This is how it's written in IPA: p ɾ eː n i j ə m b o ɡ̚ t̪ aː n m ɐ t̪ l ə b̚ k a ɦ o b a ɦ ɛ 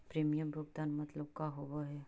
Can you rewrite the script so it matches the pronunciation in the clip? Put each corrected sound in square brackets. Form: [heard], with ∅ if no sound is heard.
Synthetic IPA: p ɾ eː [m] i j ə m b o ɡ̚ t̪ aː n m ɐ t̪ l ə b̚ k a ɦ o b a ɦ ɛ